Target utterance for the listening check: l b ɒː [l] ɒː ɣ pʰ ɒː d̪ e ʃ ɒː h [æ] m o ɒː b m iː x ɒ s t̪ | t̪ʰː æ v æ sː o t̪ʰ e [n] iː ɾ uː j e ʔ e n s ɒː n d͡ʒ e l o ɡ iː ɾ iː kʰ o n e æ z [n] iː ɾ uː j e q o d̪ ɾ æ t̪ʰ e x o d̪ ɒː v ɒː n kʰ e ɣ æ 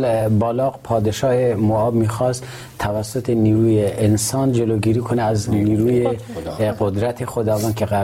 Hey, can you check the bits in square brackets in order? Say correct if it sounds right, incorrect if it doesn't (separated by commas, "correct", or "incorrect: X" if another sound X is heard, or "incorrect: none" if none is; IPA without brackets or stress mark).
correct, incorrect: e, correct, correct